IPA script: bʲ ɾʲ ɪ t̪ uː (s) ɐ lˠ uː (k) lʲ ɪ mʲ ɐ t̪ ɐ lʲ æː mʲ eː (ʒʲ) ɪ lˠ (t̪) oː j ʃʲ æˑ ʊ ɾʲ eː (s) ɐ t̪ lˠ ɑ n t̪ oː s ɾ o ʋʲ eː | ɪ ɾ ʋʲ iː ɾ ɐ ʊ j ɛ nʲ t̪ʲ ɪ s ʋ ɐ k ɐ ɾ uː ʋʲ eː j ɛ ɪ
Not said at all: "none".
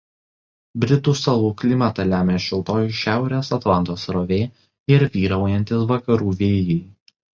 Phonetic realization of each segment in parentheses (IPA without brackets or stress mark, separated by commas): s, k, ʃʲ, t̪, s